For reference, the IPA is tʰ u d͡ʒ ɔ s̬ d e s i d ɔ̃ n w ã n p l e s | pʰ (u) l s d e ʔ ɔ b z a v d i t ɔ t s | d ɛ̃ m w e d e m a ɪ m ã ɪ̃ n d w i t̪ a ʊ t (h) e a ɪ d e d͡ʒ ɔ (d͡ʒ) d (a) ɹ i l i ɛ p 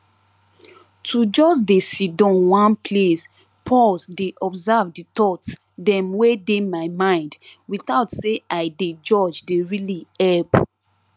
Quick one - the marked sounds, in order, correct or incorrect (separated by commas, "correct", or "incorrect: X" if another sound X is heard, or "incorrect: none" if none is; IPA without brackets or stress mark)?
incorrect: ɔ, incorrect: s, correct, incorrect: e